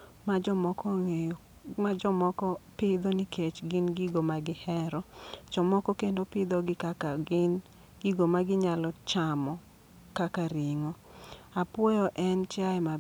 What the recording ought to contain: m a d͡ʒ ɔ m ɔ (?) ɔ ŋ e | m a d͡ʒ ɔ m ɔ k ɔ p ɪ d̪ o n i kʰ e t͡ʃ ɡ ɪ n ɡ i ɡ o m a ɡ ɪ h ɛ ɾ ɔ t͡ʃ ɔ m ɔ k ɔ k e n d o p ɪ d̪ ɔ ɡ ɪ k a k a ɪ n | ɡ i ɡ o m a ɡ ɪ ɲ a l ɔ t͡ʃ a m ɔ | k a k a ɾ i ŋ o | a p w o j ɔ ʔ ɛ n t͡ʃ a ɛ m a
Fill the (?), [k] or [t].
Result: k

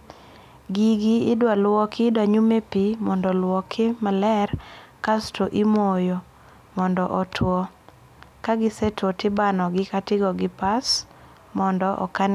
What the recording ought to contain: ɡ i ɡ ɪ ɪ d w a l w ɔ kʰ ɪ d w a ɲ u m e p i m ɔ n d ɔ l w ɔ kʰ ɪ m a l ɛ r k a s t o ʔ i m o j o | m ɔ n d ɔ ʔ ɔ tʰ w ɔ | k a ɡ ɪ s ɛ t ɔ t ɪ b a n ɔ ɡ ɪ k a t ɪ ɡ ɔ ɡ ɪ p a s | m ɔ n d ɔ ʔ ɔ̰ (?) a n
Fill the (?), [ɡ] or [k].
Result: k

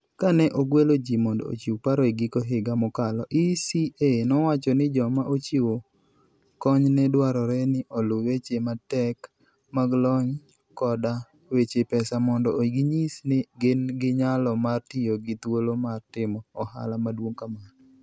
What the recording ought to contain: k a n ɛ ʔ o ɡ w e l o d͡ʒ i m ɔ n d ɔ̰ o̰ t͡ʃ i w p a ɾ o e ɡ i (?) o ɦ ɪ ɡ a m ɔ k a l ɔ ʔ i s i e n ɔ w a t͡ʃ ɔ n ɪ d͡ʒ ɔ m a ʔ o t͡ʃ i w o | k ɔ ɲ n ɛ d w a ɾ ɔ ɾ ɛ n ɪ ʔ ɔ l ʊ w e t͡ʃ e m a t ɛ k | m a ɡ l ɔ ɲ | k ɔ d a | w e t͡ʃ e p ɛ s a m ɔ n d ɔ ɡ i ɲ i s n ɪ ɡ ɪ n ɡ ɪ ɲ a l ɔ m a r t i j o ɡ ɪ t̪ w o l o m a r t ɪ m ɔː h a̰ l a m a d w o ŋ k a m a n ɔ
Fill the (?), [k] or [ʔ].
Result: k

